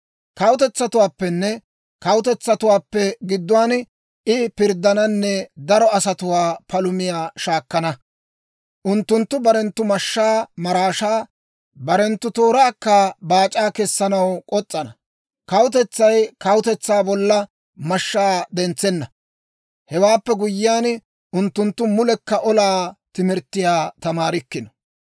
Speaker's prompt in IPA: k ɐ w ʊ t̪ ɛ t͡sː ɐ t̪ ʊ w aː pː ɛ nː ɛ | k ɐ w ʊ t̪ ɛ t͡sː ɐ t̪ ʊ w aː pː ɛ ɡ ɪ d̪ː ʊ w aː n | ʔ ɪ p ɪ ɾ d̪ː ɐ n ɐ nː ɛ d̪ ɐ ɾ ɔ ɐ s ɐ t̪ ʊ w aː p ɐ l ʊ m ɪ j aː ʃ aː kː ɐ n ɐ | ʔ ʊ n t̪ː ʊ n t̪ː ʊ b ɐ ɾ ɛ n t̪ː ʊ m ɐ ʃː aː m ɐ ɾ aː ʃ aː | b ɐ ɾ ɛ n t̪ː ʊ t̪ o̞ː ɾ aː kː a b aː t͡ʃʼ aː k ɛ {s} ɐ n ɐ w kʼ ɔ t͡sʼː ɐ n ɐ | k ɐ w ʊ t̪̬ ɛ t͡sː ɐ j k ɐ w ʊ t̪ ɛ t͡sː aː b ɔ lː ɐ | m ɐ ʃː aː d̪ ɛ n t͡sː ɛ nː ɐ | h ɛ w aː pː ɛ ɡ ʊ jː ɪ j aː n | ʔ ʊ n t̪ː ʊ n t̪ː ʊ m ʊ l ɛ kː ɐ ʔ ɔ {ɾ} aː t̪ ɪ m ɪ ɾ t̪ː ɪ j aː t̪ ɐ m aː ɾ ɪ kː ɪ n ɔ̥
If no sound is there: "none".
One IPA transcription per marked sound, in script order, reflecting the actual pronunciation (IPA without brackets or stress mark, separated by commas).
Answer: sː, l